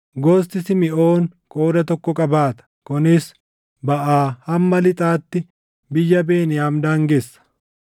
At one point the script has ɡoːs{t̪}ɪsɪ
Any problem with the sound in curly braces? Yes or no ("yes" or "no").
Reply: no